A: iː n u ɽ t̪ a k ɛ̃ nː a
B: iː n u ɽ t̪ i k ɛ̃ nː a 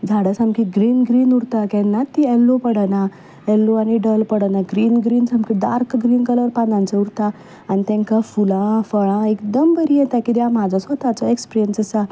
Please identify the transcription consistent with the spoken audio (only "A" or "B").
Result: A